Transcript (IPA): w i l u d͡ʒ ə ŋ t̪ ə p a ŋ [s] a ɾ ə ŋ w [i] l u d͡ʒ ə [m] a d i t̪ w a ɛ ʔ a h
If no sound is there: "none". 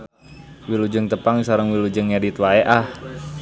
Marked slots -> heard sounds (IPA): s, i, ŋ

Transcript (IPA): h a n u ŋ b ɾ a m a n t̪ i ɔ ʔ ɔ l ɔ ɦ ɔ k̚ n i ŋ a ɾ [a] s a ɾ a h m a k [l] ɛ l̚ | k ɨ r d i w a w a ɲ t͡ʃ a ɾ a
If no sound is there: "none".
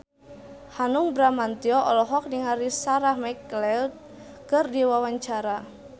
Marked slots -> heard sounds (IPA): i, l

